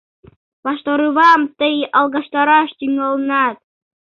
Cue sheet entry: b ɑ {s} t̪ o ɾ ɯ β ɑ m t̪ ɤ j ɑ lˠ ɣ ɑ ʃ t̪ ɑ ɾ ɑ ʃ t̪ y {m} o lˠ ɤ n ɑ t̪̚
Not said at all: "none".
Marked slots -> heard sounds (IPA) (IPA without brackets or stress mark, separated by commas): ʃ, ŋ